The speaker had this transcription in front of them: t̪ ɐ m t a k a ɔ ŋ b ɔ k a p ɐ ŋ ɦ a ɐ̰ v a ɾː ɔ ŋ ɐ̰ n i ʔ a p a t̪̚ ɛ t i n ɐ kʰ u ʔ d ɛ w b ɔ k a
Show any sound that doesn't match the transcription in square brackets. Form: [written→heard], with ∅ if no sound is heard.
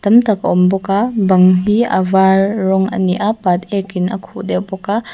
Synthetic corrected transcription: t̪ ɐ m t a k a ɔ [ŋ→m] b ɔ k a [p→b] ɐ ŋ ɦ [a→i] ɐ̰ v a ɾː ɔ ŋ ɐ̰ n i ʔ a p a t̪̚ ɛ [t→k] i n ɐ kʰ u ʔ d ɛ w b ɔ k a